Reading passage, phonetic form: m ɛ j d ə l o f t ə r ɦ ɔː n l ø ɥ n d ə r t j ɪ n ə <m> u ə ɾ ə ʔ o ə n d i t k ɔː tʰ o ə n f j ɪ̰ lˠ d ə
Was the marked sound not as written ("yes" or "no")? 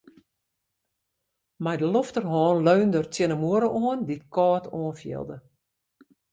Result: no